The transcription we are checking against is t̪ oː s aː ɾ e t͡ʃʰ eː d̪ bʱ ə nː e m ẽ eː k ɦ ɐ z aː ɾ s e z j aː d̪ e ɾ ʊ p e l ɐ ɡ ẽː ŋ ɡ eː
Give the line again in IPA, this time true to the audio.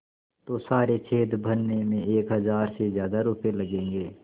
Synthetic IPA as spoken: t̪ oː s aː ɾ e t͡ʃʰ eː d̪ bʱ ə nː e m ẽ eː k ɦ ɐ z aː ɾ s e z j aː d̪ a ɾ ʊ p e l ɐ ɡ ẽː ŋ ɡ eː

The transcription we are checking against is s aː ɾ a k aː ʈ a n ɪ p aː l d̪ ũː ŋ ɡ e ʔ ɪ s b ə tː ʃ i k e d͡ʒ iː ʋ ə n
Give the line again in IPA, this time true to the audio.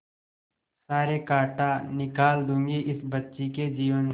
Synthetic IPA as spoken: s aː ɾ e k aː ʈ a n ɪ k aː l d̪ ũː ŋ ɡ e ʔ ɪ s b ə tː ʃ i k e d͡ʒ iː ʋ ə n

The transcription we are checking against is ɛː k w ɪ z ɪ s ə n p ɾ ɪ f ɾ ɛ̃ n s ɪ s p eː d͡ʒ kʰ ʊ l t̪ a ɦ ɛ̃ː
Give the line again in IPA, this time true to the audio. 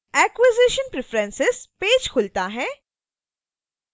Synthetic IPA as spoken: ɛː k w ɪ z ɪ ʃ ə n p ɾ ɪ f ɾ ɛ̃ n s ɪ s p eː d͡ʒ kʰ ʊ l t̪ a ɦ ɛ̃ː

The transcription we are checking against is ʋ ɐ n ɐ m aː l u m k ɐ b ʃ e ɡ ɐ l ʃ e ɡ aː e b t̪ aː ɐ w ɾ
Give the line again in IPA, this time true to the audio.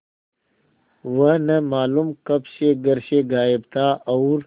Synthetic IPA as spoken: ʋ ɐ n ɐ m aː l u m k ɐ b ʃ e ɡ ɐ ɾ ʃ e ɡ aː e b t̪ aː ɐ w ɾ

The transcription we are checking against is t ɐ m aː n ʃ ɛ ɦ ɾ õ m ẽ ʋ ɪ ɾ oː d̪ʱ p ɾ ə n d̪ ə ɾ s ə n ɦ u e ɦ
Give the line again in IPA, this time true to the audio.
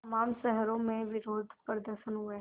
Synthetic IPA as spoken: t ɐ m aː m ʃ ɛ ɦ ɾ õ m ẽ ʋ ɪ ɾ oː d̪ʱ p ɾ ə d̪ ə ɾ ʃ ə n ɦ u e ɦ

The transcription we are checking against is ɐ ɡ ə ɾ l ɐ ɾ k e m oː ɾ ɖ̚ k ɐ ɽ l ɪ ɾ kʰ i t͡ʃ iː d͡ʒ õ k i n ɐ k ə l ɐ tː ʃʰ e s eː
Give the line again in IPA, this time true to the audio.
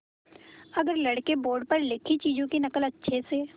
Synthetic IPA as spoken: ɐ ɡ ə ɾ l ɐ ɽ k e b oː ɾ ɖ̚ p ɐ ɾ l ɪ kʰ i t͡ʃ iː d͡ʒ õ k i n ɐ k ə l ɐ tː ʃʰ e s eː

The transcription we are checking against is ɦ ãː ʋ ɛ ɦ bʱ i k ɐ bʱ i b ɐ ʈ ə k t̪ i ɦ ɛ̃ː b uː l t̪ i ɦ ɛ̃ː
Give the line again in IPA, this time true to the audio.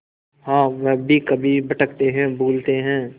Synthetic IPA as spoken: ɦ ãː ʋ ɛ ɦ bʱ i k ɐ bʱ i b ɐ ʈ ə k t̪ e ɦ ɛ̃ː b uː l t̪ e ɦ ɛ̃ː

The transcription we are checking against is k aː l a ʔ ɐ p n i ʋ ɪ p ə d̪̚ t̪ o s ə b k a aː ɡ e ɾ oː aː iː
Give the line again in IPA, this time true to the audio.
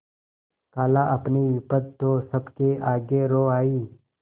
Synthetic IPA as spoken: k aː l a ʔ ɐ p n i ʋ ɪ p ə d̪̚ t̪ o s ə b k e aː ɡ e ɾ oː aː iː

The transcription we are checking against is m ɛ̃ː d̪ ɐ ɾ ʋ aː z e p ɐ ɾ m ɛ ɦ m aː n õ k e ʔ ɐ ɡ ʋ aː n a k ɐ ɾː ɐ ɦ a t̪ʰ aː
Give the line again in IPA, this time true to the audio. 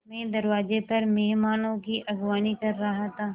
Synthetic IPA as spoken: m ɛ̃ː d̪ ɐ ɾ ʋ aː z e p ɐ ɾ m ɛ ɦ m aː n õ k i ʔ ɐ ɡ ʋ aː n i k ɐ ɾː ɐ ɦ a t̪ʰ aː

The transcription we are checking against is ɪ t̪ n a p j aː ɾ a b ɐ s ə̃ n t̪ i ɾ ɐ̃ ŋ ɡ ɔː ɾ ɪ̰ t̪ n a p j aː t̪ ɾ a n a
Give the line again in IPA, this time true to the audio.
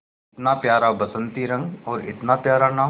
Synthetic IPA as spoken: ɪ t̪ n a p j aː ɾ a b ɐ s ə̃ n t̪ i ɾ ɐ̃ ŋ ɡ ɔː ɾ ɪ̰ t̪ n a p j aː ɾ a n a

